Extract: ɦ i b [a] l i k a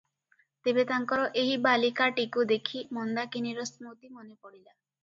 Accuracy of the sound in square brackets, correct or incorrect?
correct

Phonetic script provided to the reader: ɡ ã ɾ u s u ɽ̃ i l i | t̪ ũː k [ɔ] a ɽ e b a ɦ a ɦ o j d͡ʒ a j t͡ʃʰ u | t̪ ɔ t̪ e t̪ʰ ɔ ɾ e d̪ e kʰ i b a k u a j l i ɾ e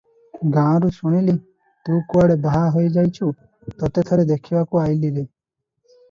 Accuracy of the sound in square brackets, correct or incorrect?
incorrect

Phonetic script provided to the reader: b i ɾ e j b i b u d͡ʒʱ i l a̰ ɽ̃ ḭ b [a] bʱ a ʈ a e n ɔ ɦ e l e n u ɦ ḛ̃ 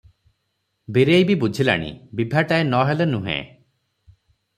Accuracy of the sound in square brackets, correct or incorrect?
incorrect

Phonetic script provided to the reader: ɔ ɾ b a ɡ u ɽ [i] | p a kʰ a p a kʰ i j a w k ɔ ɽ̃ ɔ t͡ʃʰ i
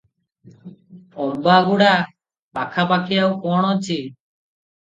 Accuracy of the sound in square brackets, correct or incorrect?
incorrect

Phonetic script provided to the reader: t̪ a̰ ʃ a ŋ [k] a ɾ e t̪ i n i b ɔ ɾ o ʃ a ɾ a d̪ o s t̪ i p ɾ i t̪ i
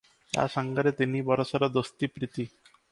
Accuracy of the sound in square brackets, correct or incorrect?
incorrect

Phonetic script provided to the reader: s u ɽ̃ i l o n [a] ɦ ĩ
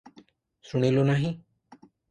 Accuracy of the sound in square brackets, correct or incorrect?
correct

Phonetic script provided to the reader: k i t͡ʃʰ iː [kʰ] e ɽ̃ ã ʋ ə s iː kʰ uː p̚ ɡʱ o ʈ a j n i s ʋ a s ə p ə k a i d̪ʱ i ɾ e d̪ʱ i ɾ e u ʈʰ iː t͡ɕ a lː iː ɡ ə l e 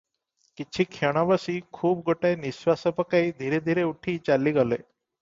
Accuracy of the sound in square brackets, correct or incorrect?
correct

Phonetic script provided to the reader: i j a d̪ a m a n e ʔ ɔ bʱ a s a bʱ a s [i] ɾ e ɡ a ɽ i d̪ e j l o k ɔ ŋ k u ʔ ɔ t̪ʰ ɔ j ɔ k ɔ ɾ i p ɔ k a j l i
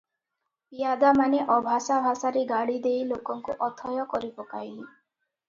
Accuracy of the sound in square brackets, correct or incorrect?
incorrect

